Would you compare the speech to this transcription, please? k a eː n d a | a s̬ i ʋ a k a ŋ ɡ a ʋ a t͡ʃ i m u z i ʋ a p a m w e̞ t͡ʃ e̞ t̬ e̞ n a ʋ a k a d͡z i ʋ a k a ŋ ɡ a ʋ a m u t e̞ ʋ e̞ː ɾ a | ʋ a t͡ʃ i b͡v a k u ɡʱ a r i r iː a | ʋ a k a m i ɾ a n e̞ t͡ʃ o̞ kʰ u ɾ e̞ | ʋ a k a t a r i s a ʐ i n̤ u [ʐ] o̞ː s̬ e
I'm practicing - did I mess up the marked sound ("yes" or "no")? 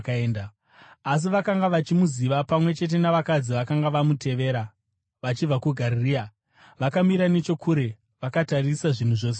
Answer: no